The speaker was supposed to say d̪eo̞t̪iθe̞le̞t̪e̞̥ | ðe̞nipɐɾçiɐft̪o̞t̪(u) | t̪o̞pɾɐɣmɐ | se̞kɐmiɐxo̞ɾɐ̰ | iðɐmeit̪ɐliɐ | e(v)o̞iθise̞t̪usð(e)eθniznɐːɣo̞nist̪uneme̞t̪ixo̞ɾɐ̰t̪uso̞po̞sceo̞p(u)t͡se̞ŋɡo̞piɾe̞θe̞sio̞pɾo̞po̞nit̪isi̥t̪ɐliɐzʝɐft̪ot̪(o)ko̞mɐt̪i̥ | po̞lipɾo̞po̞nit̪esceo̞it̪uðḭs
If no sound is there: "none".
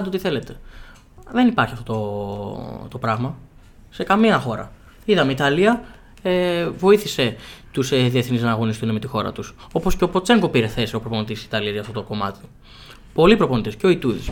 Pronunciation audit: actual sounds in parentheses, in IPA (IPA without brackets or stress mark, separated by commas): o, v, i, o, o